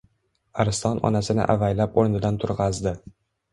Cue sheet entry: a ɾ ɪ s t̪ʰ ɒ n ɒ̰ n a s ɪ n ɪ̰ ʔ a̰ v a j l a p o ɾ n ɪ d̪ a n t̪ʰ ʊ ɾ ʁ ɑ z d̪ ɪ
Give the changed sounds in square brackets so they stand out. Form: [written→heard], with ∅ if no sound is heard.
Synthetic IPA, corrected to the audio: a ɾ ɪ s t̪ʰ ɒ n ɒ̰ n a s ɪ n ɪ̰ ʔ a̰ v a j l a p o ɾ n ɪ d̪ a n t̪ʰ ʊ ɾ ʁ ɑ z d̪ ɪ